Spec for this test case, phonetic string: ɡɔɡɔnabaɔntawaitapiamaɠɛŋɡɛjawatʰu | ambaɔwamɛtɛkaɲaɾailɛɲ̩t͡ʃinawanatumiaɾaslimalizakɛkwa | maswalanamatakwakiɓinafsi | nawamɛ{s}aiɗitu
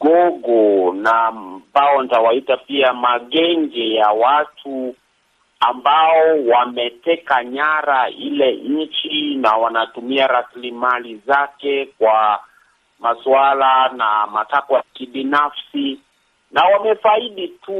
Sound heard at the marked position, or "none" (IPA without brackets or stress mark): f